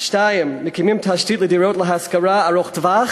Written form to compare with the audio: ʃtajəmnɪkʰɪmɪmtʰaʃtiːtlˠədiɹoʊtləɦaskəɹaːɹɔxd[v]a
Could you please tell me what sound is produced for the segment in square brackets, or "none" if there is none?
v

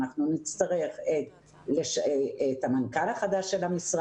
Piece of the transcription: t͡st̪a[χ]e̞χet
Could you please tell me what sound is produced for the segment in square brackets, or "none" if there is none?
ʁ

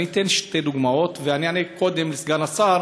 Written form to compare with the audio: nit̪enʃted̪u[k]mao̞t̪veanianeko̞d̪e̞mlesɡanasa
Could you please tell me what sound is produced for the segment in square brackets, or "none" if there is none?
ɡ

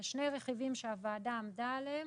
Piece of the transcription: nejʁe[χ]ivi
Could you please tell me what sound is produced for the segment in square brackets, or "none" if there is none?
χ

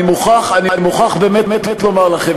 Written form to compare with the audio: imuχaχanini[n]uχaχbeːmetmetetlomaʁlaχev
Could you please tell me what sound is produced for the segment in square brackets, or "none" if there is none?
m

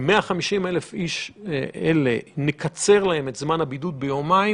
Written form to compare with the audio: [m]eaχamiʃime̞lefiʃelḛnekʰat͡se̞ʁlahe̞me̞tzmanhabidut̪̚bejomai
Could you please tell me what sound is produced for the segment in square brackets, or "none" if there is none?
m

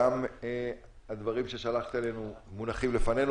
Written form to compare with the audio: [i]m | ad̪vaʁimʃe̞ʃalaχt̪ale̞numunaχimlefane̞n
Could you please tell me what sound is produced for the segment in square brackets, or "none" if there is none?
a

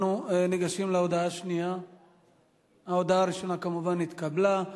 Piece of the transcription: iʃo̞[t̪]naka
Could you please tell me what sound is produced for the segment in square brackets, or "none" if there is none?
none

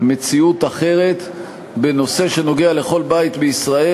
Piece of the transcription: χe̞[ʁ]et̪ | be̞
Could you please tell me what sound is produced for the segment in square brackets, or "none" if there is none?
ʁ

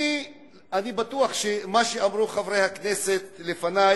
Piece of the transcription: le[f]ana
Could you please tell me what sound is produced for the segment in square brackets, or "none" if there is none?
f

